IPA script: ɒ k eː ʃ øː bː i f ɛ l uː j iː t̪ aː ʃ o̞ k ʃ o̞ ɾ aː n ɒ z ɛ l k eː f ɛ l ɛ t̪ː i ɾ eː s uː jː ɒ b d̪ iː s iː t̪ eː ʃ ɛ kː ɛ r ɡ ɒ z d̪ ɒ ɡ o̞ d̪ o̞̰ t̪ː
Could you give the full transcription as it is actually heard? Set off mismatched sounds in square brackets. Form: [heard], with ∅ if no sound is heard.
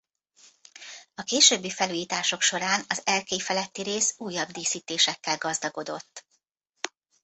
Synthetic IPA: ɒ k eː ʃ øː bː i f ɛ l uː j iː t̪ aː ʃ o̞ k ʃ o̞ ɾ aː n ɒ z ɛ l k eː f ɛ l ɛ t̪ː i ɾ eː s uː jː ɒ b d̪ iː s iː t̪ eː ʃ ɛ kː ɛ [l] ɡ ɒ z d̪ ɒ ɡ o̞ d̪ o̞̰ t̪ː